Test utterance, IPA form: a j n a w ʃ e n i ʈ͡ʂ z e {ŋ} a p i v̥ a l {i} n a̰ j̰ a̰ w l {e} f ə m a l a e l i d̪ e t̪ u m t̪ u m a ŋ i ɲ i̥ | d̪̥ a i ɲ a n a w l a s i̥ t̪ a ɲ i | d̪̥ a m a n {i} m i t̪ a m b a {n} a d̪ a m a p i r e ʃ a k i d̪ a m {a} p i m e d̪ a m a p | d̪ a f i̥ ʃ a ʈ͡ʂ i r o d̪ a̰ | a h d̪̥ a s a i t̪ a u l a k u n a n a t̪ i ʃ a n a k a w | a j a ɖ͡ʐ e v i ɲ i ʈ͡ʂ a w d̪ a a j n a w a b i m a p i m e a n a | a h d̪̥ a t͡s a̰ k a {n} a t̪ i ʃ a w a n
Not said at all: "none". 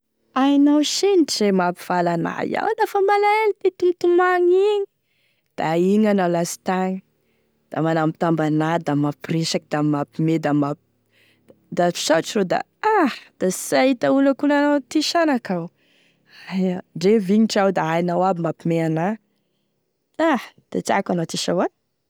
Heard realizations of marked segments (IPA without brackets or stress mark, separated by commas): m, a, a, a, n, a, n